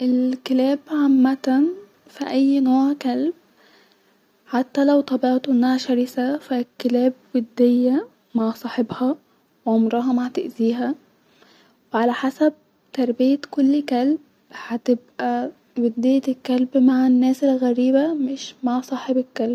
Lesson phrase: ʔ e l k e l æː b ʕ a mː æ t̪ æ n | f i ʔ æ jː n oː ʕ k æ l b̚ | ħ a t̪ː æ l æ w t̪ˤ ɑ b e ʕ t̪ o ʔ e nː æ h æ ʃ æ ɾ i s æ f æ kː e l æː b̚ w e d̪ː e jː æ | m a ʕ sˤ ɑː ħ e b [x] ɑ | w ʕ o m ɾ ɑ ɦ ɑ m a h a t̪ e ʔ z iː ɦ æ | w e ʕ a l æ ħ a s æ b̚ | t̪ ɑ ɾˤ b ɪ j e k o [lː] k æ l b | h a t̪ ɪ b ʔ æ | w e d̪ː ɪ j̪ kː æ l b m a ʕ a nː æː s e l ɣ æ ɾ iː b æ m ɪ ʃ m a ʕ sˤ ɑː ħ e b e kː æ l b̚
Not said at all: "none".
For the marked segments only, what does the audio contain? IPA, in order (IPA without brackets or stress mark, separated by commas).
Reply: h, lː